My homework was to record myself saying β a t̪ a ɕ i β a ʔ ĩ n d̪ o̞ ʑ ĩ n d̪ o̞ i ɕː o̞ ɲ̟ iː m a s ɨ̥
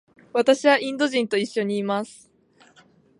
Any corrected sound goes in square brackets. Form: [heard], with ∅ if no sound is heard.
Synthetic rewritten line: β a t̪ a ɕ i β a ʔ ĩ n d̪ o̞ ʑ ĩ n [t̪] o̞ i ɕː o̞ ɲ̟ iː m a s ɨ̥